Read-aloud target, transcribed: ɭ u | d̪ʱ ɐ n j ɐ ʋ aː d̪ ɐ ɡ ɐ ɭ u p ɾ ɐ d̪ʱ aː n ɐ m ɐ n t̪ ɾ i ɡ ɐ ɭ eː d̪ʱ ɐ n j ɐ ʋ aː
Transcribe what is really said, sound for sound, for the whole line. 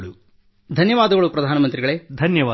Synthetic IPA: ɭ u | d̪ʱ ɐ n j ɐ ʋ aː d̪ ɐ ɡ ɐ ɭ u p ɾ ɐ d̪ʱ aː n ɐ m ɐ n t̪ ɾ i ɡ ɐ ɭ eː d̪ʱ ɐ n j ɐ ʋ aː